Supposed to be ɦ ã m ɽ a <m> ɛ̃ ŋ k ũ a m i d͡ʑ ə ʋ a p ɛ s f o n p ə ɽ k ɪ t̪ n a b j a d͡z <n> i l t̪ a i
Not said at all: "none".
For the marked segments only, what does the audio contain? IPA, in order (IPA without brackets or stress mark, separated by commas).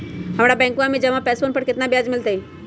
b, m